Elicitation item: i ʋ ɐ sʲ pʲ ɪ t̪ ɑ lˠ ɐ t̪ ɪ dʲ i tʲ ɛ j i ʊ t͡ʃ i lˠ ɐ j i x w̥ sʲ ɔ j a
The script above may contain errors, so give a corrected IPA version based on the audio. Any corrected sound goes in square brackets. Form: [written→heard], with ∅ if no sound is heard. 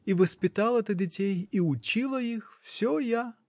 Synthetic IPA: i ʋ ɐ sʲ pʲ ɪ t̪ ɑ lˠ ɐ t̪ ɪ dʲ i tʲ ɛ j i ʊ t͡ʃ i lˠ ɐ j i x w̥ sʲ ɔ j a